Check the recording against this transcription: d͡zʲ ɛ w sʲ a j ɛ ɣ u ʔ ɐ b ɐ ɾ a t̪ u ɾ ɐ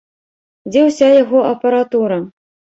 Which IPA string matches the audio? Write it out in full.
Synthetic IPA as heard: d͡zʲ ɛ w sʲ a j a ɣ ɔ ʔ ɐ p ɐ ɾ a t̪ u ɾ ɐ